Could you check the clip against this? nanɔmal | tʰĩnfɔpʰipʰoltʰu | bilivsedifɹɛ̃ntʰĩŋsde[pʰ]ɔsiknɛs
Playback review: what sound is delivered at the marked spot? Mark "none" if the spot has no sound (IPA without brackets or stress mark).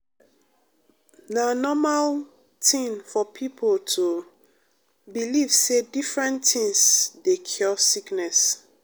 kʰ